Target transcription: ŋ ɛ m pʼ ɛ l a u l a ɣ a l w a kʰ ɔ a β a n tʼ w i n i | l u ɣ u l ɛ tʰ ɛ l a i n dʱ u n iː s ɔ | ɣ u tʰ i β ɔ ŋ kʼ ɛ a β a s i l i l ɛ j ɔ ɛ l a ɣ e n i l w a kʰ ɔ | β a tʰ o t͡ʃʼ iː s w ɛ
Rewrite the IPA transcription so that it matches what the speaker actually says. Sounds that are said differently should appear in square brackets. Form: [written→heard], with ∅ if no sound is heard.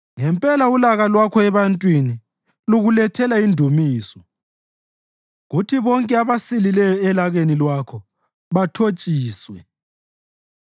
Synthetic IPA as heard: ŋ ɛ m pʼ ɛ l a u l a ɣ a l w a kʰ ɔ [a→ɛ] β a n tʼ w i n i | l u ɣ u l ɛ tʰ ɛ l a i n dʱ u [n→m] iː s ɔ | ɣ u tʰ i β ɔ ŋ kʼ ɛ a β a s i l i l ɛ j ɔ ɛ l a ɣ e n i l w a kʰ ɔ | β a tʰ o t͡ʃʼ iː s w ɛ